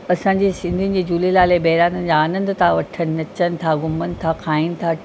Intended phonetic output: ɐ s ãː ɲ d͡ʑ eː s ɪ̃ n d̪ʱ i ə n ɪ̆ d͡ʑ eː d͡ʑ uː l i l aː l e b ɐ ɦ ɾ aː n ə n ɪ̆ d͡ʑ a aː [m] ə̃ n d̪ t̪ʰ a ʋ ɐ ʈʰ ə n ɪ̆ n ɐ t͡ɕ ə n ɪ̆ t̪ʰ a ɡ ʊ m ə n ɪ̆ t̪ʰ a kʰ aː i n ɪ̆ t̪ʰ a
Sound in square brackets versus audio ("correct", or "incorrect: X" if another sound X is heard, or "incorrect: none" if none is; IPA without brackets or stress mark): incorrect: n